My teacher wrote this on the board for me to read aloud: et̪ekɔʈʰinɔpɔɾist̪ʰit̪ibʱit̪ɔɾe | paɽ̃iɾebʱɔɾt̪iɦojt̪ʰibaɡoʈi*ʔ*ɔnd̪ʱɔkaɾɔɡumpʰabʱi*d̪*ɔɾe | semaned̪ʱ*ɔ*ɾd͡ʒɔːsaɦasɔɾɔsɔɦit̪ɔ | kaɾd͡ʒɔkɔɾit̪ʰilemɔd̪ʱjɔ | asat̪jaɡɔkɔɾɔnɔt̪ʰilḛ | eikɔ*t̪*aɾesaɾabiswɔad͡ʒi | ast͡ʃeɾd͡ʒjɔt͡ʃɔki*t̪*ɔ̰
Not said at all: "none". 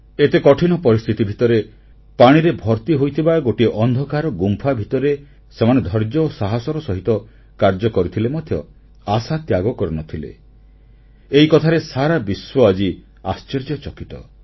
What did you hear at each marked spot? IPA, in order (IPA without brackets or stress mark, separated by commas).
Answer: ʔ, t̪, ɔ, t̪ʰ, t̪